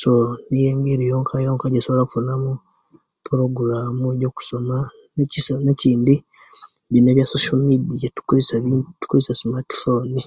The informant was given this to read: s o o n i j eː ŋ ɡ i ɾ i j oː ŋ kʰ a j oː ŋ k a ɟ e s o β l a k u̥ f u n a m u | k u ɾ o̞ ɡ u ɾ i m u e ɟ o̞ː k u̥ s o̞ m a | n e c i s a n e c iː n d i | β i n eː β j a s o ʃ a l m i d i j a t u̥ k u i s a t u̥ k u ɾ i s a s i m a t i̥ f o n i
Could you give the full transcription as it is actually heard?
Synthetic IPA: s o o n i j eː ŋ ɡ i ɾ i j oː ŋ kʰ a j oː ŋ k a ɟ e s o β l a k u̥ f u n a m u | p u ɾ o̞ ɡ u ɾ a m u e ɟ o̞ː k u̥ s o̞ m a | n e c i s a n e c iː n d i | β i n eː β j a s o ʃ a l m i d i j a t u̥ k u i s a t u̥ k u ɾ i s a s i m a t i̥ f o n i